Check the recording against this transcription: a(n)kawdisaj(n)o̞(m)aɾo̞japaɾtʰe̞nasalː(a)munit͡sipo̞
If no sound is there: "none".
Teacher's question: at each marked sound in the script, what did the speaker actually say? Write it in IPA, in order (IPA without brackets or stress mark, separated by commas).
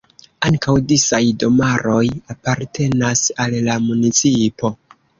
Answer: ŋ, d, m, a